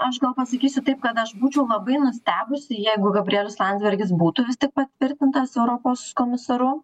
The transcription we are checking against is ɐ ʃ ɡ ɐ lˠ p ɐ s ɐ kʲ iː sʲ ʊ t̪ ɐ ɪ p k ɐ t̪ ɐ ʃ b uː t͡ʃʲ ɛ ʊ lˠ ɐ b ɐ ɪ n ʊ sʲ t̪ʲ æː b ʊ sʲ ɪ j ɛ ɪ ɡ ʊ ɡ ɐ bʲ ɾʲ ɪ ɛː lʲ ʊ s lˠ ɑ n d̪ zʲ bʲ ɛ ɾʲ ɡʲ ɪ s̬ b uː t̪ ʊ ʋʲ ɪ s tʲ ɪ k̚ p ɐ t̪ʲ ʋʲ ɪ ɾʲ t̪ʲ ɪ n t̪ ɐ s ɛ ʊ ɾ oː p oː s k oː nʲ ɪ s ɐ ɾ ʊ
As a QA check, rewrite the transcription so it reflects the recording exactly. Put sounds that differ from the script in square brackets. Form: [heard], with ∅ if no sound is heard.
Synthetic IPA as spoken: ɐ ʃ ɡ ɐ lˠ p ɐ s ɐ kʲ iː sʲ ʊ t̪ ɐ ɪ p k ɐ t̪ ɐ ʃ b uː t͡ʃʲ ɛ ʊ lˠ ɐ b ɐ ɪ n ʊ sʲ t̪ʲ æː b ʊ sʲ ɪ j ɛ ɪ ɡ ʊ ɡ ɐ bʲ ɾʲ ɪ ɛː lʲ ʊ s lˠ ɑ n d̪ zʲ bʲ ɛ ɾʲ ɡʲ ɪ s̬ b uː t̪ ʊ ʋʲ ɪ s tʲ ɪ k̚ p ɐ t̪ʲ ʋʲ ɪ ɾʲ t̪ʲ ɪ n t̪ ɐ s ɛ ʊ ɾ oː p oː s k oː [mʲ] ɪ s ɐ ɾ ʊ